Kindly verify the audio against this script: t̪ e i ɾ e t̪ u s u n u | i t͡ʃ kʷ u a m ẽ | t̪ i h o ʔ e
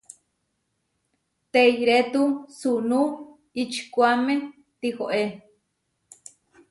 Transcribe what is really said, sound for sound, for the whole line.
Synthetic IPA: t̪ e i ɾ e t̪ u s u n u | i t͡ʃ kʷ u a m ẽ | t̪ i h o ʔ e